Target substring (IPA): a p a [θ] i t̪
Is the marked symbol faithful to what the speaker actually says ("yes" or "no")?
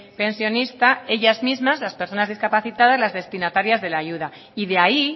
yes